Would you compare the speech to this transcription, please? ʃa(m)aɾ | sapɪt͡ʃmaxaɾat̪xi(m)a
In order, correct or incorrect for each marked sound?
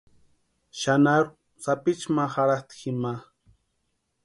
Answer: incorrect, correct

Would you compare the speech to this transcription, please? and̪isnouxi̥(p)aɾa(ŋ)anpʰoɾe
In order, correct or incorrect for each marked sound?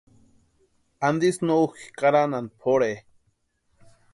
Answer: incorrect, incorrect

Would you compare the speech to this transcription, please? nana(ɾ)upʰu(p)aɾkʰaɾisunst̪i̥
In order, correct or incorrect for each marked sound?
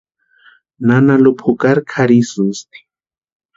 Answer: incorrect, incorrect

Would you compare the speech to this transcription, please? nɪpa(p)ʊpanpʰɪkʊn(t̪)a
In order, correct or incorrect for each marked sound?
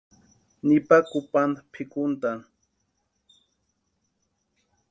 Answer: incorrect, correct

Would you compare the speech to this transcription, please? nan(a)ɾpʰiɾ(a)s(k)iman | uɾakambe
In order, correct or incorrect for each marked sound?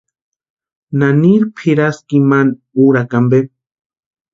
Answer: incorrect, correct, correct

